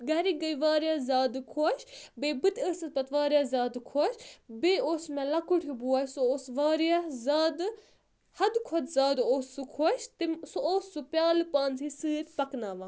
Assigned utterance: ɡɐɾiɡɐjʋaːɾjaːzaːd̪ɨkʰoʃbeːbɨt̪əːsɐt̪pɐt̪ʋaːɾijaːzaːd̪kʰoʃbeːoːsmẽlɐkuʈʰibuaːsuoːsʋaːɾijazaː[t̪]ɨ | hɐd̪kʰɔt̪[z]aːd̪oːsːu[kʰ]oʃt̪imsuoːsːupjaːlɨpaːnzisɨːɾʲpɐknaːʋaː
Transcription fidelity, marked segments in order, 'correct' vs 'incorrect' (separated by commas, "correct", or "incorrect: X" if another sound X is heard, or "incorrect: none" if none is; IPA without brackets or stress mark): incorrect: d̪, correct, correct